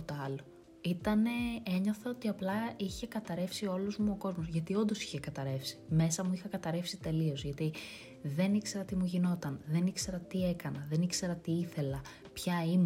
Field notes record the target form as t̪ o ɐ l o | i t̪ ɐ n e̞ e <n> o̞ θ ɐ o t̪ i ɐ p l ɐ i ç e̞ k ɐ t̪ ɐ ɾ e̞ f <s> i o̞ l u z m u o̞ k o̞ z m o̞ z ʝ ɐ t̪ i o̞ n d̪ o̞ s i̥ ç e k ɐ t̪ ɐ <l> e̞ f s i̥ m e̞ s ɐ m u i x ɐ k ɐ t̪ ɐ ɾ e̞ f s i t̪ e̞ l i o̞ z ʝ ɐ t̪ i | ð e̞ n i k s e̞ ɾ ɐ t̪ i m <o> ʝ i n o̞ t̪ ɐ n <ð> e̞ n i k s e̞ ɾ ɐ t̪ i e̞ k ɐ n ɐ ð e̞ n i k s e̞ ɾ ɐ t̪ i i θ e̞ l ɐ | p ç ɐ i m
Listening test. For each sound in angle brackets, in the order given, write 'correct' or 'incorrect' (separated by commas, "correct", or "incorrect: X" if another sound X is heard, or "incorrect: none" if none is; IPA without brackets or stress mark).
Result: incorrect: ɲ, correct, incorrect: ɾ, incorrect: u, correct